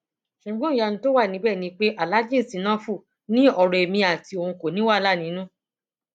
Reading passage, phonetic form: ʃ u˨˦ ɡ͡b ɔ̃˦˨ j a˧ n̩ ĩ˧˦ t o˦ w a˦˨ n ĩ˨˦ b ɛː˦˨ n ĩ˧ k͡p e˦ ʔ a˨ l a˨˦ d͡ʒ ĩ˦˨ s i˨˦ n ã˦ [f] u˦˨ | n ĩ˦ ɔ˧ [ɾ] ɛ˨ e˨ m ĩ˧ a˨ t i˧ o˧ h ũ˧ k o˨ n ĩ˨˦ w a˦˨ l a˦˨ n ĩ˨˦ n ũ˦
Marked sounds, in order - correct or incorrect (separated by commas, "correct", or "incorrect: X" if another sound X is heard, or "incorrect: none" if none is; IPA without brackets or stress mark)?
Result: correct, correct